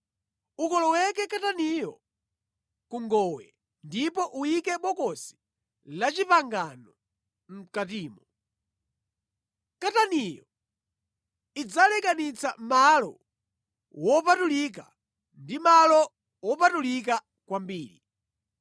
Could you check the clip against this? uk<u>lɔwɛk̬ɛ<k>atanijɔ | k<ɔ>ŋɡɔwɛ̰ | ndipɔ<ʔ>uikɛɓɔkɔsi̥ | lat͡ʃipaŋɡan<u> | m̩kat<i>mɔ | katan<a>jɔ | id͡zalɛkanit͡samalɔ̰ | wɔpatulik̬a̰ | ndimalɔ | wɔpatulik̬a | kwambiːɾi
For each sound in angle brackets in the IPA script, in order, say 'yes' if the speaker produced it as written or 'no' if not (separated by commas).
no, yes, no, yes, no, no, no